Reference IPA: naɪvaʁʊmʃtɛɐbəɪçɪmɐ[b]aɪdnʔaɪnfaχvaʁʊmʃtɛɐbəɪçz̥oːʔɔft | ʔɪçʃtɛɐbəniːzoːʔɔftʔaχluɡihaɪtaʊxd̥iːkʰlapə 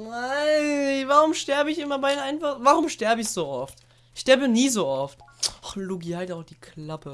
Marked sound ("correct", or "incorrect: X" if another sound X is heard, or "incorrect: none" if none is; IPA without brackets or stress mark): correct